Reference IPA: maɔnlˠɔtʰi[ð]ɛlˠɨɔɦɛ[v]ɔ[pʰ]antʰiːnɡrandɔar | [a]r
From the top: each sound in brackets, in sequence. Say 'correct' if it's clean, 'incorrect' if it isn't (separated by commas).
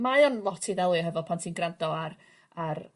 correct, correct, correct, correct